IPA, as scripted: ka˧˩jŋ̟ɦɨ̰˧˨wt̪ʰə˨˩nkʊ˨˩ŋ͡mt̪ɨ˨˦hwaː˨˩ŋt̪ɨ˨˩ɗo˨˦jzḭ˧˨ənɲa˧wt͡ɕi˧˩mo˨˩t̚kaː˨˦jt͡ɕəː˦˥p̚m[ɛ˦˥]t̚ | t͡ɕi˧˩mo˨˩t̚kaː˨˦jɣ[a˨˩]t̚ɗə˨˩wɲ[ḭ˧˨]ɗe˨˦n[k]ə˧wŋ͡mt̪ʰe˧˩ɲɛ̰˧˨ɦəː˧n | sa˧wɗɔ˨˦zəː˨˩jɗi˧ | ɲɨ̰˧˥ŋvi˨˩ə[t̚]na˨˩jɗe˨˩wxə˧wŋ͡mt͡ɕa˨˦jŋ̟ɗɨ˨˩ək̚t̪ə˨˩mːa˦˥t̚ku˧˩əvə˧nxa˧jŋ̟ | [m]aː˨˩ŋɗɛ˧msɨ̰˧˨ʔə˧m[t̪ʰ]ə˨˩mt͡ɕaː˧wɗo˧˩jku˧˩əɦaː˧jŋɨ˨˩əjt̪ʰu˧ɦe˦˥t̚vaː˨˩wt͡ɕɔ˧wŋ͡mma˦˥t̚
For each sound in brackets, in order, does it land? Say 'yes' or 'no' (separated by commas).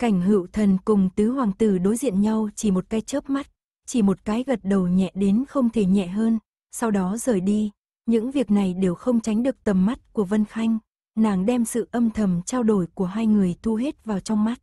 no, no, no, no, no, no, yes